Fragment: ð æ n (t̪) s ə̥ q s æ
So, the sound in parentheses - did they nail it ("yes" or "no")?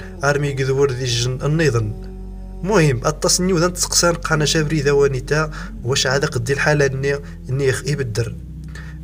yes